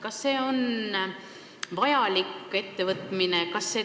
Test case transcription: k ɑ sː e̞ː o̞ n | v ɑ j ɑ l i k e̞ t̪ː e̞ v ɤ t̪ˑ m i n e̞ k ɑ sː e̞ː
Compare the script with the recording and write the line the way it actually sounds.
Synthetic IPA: k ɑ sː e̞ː o̞ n | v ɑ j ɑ l i k e̞ t̪ː e̞ v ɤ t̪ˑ m i n e̞ k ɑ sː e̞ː